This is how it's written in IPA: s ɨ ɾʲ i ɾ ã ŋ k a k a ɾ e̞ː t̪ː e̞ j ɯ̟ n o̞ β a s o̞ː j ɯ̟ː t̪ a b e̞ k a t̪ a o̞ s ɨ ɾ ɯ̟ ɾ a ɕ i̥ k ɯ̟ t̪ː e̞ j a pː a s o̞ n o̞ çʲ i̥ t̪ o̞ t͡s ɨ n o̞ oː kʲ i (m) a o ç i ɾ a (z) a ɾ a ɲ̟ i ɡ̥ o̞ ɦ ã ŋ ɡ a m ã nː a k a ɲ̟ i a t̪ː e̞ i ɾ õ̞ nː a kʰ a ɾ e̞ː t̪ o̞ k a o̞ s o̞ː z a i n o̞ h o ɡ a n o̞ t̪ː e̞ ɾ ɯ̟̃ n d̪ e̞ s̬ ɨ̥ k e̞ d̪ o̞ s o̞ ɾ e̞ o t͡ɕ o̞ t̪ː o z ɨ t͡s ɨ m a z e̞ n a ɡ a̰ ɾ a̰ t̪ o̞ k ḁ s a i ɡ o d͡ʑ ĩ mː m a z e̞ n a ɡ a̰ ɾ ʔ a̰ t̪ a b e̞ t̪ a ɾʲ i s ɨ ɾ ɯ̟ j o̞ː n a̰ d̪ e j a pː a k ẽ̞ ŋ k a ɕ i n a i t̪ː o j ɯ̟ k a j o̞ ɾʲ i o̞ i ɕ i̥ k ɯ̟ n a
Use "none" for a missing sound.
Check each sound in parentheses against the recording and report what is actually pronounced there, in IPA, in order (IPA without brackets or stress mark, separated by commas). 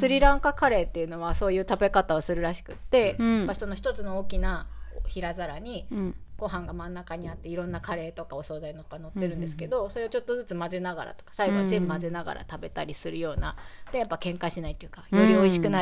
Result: n, z